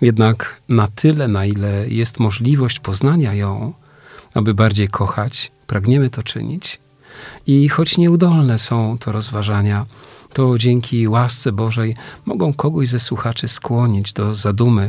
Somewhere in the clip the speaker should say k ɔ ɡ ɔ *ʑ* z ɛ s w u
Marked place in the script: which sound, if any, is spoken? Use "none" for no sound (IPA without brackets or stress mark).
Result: ʑ